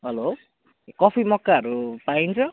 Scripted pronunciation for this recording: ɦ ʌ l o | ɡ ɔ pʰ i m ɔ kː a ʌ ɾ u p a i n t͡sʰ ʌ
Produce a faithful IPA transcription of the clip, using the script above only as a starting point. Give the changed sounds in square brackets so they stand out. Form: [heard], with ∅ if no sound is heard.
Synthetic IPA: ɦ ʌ l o | [k] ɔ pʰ i m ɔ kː a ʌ ɾ u p a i n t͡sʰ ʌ